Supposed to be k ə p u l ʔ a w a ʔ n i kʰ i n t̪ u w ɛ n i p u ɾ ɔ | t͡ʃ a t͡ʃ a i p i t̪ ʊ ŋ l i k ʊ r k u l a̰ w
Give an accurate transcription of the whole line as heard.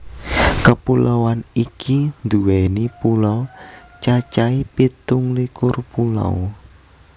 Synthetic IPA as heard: k ə p u l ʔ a w a n i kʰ i n d̪ u w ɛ n i p u l ɔ | t͡ʃ a t͡ʃ a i p i t̪ ʊ ŋ l i k ʊ r p u l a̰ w